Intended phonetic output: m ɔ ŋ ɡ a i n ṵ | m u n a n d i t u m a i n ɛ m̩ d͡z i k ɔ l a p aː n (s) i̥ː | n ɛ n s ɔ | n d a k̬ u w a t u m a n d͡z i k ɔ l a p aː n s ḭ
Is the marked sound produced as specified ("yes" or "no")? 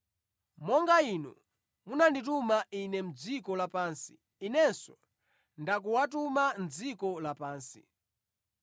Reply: yes